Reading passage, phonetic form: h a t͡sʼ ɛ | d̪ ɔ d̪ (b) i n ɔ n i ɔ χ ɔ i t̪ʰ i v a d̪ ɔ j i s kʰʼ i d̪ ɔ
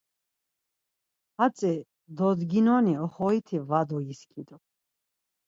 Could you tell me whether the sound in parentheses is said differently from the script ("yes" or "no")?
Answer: yes